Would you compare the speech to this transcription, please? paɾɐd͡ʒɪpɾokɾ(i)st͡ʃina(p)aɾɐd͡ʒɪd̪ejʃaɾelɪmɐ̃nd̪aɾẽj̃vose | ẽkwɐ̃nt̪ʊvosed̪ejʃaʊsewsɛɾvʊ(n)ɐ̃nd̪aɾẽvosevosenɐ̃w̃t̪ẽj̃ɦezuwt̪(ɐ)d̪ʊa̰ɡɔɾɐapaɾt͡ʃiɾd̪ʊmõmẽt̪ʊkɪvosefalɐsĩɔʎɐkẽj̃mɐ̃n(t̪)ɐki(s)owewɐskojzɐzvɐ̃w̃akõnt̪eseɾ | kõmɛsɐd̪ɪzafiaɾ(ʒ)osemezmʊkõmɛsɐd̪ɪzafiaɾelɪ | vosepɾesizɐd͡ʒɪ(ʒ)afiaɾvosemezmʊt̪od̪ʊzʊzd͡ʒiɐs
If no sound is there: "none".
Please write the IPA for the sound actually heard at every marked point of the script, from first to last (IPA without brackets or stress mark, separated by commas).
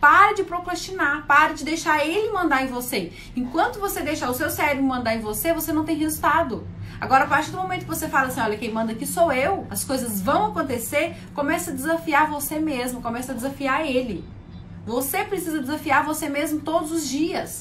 a, p, m, a, d̪, s, v, z